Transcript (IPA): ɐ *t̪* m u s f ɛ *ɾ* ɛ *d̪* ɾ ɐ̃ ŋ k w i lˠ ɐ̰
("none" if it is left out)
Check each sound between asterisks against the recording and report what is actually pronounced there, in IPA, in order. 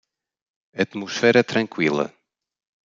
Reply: t̪, ɾ, t̪

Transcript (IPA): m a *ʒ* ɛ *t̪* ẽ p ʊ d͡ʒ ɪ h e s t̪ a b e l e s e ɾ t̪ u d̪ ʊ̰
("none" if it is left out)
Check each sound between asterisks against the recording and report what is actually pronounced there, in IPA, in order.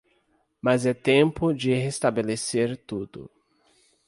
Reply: z, t̪

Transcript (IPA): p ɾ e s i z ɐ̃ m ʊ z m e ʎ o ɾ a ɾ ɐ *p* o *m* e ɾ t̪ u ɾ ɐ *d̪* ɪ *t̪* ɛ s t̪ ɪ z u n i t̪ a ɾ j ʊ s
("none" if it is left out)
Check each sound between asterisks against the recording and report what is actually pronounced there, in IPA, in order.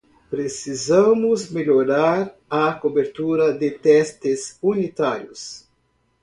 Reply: k, b, d̪, t̪

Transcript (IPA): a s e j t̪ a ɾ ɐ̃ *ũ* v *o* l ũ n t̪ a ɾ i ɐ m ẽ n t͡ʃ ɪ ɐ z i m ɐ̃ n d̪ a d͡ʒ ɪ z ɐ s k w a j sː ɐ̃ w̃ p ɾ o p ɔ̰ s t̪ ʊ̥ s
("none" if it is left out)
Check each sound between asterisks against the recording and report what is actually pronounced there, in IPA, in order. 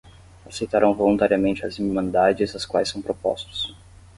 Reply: w̃, o

